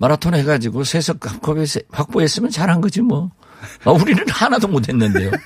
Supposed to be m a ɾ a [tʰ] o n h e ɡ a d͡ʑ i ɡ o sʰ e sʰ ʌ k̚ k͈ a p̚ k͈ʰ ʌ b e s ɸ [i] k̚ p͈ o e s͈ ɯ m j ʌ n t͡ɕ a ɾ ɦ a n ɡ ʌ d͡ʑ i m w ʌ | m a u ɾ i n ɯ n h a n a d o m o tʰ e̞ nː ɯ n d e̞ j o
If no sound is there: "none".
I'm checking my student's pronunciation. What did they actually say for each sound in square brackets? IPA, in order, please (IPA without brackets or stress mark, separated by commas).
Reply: tʰ, a